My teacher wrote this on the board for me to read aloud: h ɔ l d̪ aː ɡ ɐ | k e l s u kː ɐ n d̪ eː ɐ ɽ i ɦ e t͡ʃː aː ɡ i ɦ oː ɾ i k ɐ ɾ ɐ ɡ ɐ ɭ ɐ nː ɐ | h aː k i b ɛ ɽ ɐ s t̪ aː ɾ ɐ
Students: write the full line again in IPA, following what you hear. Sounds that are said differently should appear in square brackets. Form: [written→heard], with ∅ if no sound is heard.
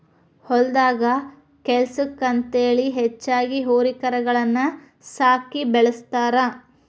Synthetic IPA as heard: h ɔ l d̪ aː ɡ ɐ | k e l s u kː ɐ n [d̪→t̪] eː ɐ [ɽ→ɭ] i ɦ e t͡ʃː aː ɡ i ɦ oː ɾ i k ɐ ɾ ɐ ɡ ɐ ɭ ɐ nː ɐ | [h→s] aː k i b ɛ [ɽ→ɭ] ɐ s t̪ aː ɾ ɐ

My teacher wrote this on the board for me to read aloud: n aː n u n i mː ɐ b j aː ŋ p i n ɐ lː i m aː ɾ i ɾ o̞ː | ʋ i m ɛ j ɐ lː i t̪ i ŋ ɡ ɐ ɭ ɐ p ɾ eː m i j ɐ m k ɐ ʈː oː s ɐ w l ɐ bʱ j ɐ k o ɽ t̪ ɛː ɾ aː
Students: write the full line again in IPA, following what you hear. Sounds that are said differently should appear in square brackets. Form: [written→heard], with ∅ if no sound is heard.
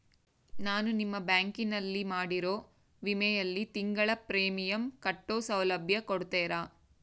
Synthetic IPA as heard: n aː n u n i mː ɐ b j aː ŋ [p→k] i n ɐ lː i m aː [ɾ→ɽ] i ɾ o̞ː | ʋ i m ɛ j ɐ lː i t̪ i ŋ ɡ ɐ ɭ ɐ p ɾ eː m i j ɐ m k ɐ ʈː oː s ɐ w l ɐ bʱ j ɐ k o ɽ t̪ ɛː ɾ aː

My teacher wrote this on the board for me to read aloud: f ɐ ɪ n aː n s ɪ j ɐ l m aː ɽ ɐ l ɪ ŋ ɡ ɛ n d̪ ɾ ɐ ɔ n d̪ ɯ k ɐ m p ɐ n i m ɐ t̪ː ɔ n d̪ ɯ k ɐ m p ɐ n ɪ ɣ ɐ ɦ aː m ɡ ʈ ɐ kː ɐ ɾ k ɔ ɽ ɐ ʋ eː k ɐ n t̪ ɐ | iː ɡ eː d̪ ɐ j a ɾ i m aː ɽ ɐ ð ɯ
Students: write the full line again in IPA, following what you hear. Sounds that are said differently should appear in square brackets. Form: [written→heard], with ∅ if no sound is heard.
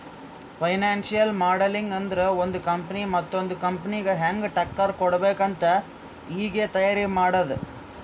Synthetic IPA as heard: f ɐ ɪ n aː n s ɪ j ɐ l m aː ɽ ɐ l ɪ ŋ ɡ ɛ n d̪ ɾ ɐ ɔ n d̪ ɯ k ɐ m p ɐ n i m ɐ t̪ː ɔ n d̪ ɯ k ɐ m p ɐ n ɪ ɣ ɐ ɦ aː [m→ŋ] ɡ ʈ ɐ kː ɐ ɾ k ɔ ɽ ɐ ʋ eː k ɐ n t̪ ɐ | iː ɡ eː [d̪→t̪] ɐ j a ɾ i m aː ɽ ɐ ð ɯ

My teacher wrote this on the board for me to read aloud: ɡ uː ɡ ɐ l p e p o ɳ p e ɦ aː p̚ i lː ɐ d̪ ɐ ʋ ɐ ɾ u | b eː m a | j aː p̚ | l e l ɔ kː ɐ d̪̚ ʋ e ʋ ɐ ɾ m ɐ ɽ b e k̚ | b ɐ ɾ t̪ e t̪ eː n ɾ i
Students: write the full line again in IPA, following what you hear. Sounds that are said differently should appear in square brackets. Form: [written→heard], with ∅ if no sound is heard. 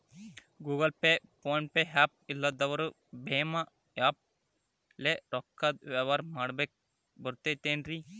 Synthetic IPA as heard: ɡ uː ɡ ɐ l p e p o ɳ p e ɦ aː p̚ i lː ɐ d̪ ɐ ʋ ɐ ɾ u | b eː m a | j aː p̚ | l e [l→ɾ] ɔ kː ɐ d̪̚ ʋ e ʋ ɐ ɾ m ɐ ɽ b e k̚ | b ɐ ɾ t̪ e t̪ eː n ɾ i

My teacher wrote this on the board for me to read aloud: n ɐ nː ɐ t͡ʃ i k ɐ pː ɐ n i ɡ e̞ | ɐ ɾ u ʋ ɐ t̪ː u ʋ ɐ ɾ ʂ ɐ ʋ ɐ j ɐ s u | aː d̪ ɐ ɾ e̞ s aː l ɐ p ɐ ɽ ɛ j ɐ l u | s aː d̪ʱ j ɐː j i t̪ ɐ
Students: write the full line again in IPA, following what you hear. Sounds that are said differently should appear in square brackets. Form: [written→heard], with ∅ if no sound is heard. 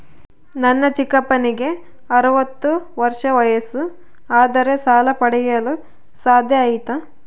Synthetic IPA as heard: n ɐ nː ɐ t͡ʃ i k ɐ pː ɐ n i ɡ e̞ | ɐ ɾ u ʋ ɐ t̪ː u ʋ ɐ ɾ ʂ ɐ ʋ ɐ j ɐ s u | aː d̪ ɐ ɾ e̞ s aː l ɐ p ɐ ɽ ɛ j ɐ l u | s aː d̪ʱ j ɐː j i t̪ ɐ

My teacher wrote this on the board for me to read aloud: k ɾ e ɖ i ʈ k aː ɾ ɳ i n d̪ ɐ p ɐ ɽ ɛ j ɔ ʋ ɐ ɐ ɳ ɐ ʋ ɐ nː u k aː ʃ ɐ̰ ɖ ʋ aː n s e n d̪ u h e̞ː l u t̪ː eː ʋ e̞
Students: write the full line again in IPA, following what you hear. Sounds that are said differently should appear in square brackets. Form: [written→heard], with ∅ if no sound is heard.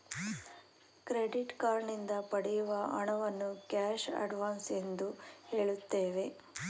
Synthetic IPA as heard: k ɾ e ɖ i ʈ k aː ɾ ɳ i n d̪ ɐ p ɐ ɽ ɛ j [ɔ→u] ʋ ɐ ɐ ɳ ɐ ʋ ɐ nː u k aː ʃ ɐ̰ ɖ ʋ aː n s e n d̪ u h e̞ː [l→ɭ] u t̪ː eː ʋ e̞

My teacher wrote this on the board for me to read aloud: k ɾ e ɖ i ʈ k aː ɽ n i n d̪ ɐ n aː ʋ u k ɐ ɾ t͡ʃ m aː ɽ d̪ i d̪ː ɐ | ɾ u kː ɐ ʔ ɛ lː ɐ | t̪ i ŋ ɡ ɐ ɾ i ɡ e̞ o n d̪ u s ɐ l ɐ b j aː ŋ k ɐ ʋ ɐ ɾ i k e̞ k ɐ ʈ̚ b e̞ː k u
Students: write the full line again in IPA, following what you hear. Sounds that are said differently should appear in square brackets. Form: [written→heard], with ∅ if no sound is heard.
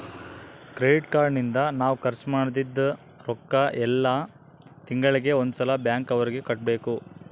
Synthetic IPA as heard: k ɾ e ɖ i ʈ k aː [ɽ→ɾ] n i n d̪ ɐ n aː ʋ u k ɐ ɾ t͡ʃ m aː ɽ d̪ i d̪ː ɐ | ɾ [u→ɔ] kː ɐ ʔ ɛ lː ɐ | t̪ i ŋ ɡ ɐ [ɾ→ɭ] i ɡ e̞ o n d̪ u s ɐ l ɐ b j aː ŋ k ɐ ʋ ɐ ɾ i [k→ɡ] e̞ k ɐ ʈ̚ b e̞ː k u

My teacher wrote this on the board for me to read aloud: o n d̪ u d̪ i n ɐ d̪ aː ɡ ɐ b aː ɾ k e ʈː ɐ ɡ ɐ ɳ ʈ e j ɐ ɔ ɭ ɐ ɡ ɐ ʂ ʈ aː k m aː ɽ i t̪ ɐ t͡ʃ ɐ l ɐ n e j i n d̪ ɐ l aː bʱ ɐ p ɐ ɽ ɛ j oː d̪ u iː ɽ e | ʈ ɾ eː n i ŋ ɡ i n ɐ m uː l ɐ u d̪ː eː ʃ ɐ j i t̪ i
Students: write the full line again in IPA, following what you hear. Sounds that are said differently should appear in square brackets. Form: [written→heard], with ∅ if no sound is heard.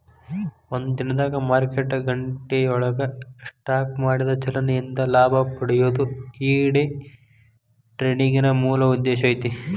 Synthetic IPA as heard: o n d̪ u d̪ i n ɐ d̪ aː ɡ ɐ [b→m] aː ɾ k e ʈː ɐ ɡ ɐ ɳ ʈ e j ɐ ɔ ɭ ɐ ɡ ɐ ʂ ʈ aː k m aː ɽ i [t̪→d̪] ɐ t͡ʃ ɐ l ɐ n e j i n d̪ ɐ l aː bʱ ɐ p ɐ ɽ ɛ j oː d̪ u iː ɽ e | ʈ ɾ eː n i ŋ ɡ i n ɐ m uː l ɐ u d̪ː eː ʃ ɐ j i t̪ i

